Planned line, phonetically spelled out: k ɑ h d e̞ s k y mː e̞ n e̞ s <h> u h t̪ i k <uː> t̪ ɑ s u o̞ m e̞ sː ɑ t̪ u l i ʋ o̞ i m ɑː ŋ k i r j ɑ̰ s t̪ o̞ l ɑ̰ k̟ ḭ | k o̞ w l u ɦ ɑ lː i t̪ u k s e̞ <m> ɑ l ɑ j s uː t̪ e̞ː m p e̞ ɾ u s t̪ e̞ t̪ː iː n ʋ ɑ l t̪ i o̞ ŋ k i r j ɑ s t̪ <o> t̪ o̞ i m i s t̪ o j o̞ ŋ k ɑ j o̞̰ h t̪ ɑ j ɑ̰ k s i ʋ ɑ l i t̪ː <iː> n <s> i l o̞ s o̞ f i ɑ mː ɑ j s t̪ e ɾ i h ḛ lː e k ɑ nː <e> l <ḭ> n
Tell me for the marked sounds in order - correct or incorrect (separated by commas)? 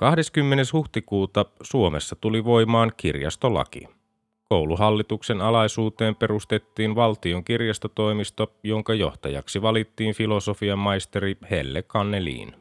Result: correct, correct, incorrect, correct, correct, incorrect, correct, incorrect